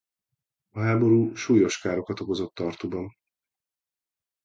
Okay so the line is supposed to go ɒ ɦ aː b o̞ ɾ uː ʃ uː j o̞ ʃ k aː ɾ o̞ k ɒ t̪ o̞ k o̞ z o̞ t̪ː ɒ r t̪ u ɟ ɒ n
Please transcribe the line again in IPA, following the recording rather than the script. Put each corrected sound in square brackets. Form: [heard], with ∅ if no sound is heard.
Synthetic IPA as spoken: ɒ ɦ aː b o̞ ɾ uː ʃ uː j o̞ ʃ k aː ɾ o̞ k ɒ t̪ o̞ k o̞ z o̞ t̪ː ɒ r t̪ u [b] ɒ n